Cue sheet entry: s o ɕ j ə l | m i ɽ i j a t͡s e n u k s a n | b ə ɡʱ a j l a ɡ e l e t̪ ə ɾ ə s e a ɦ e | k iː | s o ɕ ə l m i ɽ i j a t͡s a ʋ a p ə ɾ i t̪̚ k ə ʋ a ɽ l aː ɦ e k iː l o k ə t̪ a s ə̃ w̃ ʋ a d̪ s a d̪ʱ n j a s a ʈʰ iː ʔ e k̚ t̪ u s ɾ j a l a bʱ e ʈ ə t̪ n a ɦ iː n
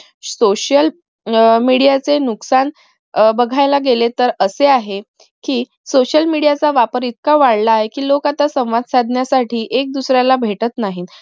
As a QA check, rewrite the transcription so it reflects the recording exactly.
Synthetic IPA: s o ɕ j ə l | m i ɽ i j a t͡s e n u k s a n | b ə ɡʱ a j l a ɡ e l e t̪ ə ɾ ə s e a ɦ e | k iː | s o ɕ ə l m i ɽ i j a t͡s a ʋ a p ə ɾ i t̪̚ k a ʋ a ɽ l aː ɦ e k iː l o k a t̪ a s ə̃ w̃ ʋ a d̪ s a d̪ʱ n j a s a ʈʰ iː ʔ e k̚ d̪ u s ɾ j a l a bʱ e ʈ ə t̪ n a ɦ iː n